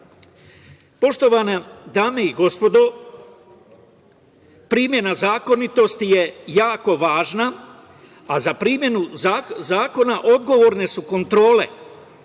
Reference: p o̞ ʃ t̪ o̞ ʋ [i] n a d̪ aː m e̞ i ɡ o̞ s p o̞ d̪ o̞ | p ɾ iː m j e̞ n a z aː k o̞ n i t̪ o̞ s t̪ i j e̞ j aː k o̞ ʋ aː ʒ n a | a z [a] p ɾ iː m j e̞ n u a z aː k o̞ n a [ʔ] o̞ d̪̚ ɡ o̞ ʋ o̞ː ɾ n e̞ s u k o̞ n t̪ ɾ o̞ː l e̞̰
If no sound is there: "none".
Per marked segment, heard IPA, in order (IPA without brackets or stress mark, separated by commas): a, a, ʔ